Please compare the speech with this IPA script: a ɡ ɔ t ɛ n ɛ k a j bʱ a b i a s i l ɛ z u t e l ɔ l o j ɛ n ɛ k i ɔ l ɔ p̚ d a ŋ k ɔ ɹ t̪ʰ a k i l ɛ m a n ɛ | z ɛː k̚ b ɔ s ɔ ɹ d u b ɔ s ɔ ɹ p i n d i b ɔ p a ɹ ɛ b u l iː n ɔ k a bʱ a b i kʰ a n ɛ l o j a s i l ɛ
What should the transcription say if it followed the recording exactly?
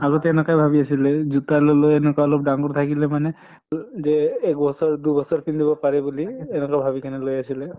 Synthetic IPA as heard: a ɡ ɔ t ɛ n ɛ k a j bʱ a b i a s i l ɛ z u t a l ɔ l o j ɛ n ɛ k a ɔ l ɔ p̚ d a ŋ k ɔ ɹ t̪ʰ a k i l ɛ m a n ɛ | z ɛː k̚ b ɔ s ɔ ɹ d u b ɔ s ɔ ɹ p i n d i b ɔ p a ɹ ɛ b u l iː n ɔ k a bʱ a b i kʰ a n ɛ l o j a s i l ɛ